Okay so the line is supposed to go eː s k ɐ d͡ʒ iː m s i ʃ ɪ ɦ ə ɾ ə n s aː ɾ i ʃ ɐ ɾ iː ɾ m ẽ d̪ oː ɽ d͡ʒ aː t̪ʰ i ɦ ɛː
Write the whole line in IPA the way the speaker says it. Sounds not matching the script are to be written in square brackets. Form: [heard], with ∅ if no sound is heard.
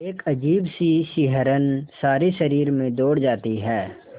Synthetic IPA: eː [∅] k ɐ d͡ʒ iː [b] s i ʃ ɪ ɦ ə ɾ ə n s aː ɾ i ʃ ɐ ɾ iː ɾ m ẽ d̪ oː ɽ d͡ʒ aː [t̪] i ɦ ɛː